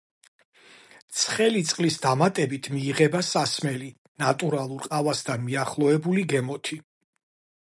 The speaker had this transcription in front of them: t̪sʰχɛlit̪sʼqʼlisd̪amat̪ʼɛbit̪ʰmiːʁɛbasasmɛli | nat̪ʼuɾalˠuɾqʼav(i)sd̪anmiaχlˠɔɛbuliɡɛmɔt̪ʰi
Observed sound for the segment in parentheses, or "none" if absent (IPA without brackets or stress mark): a